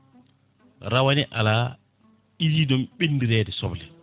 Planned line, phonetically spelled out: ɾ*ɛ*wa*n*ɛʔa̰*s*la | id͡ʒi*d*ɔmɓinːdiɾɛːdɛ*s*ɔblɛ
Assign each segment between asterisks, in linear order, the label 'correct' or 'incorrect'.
incorrect: a, correct, incorrect: none, correct, correct

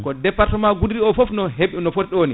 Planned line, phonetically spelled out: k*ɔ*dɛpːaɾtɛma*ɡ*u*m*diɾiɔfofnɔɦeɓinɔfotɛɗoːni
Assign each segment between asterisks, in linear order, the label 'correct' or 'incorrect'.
correct, correct, incorrect: none

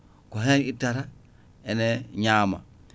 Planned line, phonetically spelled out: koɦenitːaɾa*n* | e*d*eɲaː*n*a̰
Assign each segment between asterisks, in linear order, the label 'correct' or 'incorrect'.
incorrect: none, incorrect: n, incorrect: m

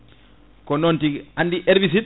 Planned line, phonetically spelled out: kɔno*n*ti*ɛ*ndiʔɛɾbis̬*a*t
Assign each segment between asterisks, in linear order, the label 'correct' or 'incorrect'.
correct, incorrect: a, incorrect: i

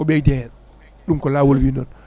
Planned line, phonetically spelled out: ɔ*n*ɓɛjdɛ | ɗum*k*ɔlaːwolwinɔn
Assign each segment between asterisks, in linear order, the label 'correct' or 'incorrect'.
incorrect: none, correct

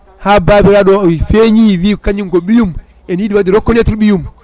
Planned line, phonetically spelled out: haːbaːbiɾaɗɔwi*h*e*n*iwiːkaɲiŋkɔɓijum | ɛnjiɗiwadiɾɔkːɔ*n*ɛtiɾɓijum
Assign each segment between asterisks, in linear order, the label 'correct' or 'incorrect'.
incorrect: f, incorrect: ɲ, correct

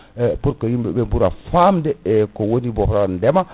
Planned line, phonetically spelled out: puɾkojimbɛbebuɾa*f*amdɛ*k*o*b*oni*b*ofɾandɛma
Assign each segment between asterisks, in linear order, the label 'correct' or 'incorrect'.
correct, correct, incorrect: w, correct

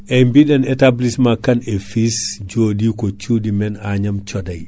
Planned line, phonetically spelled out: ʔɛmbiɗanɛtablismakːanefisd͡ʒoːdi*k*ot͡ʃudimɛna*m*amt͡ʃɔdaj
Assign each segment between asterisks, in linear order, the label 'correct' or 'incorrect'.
correct, incorrect: ɲ

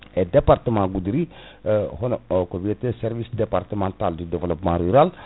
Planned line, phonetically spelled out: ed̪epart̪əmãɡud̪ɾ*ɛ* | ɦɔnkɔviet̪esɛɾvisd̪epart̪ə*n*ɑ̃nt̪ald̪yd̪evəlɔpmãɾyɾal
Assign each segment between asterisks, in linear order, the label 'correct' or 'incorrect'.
incorrect: i, incorrect: m

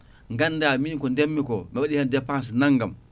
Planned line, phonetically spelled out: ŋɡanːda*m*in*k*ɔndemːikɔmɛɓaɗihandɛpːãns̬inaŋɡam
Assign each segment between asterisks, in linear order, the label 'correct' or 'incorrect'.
correct, correct

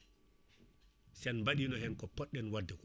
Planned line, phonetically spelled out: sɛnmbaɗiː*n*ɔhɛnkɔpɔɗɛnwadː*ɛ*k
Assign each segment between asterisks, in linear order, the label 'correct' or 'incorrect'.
correct, correct

